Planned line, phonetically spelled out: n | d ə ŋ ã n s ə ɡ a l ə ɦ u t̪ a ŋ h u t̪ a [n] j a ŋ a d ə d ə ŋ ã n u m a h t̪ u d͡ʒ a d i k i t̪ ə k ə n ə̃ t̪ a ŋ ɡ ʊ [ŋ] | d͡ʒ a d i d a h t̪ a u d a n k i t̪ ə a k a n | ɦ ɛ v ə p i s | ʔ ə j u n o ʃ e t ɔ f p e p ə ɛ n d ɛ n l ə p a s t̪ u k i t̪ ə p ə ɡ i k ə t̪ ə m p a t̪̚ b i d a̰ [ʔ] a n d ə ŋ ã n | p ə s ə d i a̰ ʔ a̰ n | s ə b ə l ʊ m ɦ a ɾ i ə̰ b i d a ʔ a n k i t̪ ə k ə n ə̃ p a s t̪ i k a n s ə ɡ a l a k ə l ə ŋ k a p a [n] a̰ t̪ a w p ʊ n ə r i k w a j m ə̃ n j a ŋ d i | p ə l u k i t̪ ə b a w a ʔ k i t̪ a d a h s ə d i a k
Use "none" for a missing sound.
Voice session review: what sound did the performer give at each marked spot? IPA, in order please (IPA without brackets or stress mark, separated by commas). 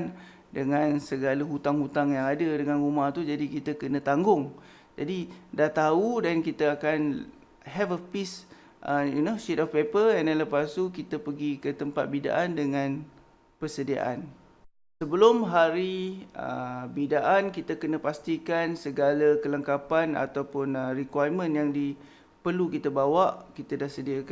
ŋ, ŋ, ʔ, n